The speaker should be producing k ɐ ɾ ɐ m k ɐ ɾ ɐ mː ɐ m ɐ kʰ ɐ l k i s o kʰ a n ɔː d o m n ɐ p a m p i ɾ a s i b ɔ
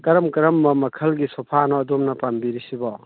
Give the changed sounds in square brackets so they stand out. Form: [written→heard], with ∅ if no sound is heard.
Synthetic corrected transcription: k ɐ ɾ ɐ m k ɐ ɾ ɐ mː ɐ m ɐ kʰ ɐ l [k→ɡ] i s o [kʰ→pʰ] a n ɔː d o m n ɐ p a m [p→b] i ɾ [a→i] s i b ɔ